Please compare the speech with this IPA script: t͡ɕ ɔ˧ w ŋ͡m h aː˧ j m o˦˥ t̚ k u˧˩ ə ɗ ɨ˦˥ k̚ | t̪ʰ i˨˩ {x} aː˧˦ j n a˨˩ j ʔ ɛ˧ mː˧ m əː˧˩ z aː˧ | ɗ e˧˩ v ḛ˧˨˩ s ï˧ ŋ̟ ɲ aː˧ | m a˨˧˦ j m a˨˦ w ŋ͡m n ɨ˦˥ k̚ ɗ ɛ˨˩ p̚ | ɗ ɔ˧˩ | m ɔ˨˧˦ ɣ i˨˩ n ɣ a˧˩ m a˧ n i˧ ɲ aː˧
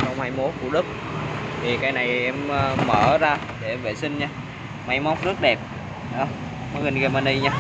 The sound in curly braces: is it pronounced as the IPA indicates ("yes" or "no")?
no